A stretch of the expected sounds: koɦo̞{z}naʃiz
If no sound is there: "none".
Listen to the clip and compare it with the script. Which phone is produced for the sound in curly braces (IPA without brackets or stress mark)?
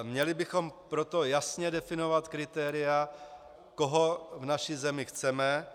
v